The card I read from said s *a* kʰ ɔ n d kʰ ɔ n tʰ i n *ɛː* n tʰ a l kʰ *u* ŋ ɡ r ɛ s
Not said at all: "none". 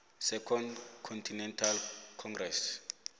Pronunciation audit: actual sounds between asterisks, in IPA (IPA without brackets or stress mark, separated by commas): ɛ, ɛ, ɔ